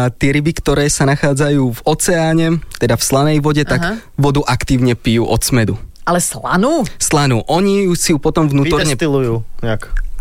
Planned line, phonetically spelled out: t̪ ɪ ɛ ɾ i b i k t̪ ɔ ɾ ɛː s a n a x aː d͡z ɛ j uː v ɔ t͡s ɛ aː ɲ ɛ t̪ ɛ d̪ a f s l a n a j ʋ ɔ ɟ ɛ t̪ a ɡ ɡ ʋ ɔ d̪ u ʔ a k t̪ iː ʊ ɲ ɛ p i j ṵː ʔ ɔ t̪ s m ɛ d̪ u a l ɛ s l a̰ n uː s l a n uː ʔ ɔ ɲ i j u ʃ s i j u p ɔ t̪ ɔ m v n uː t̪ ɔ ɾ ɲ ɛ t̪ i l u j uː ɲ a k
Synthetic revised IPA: t̪ ɪ ɛ ɾ i b i k t̪ ɔ ɾ ɛː s a n a x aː d͡z a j uː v ɔ t͡s ɛ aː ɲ ɛ t̪ ɛ d̪ a f s l a n ɛ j ʋ ɔ ɟ ɛ t̪ a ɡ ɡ ʋ ɔ d̪ u ʔ a k t̪ iː ʊ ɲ ɛ p i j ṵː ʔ ɔ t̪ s m ɛ d̪ u a l ɛ s l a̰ n uː s l a n uː ʔ ɔ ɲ i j u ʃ s i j u p ɔ t̪ ɔ m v n uː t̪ ɔ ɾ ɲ ɛ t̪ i l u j uː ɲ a k